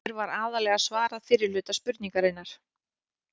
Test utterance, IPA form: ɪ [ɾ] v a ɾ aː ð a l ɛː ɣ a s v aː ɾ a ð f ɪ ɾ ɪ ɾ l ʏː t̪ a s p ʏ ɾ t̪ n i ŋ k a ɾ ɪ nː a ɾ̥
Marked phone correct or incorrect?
correct